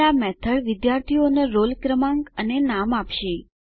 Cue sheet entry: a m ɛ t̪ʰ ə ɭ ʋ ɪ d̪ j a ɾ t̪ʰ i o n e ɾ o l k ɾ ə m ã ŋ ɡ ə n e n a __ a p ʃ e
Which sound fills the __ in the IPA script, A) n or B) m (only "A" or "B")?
B